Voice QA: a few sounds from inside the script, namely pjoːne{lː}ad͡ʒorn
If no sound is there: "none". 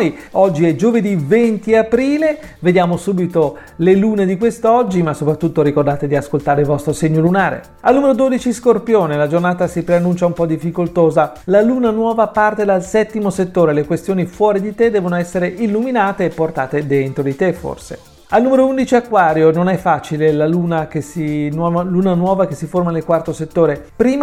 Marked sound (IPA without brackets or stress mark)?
l